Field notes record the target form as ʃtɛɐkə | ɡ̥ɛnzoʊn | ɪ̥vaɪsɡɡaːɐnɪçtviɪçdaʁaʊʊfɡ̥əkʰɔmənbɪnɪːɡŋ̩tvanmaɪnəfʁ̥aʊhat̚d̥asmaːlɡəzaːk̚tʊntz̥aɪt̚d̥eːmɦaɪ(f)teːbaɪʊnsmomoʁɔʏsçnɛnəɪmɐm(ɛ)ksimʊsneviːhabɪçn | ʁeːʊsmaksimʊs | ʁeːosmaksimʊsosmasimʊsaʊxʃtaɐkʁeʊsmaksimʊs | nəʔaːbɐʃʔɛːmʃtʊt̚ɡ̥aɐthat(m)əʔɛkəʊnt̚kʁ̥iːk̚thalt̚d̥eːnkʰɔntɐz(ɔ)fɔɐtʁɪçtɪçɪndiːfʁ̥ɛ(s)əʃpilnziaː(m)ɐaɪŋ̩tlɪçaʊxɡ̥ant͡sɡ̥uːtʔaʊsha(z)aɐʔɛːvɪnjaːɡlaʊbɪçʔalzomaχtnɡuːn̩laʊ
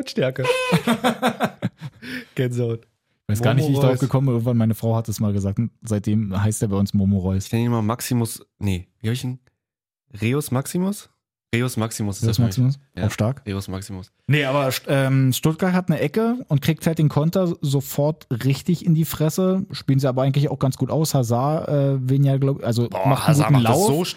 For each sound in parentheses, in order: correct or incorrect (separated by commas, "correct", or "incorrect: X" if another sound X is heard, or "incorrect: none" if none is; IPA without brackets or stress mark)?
incorrect: s, incorrect: a, incorrect: n, incorrect: o, correct, incorrect: b, correct